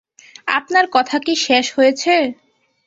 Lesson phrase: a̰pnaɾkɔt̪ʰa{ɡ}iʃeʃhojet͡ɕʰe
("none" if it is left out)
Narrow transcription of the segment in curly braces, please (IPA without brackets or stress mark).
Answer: k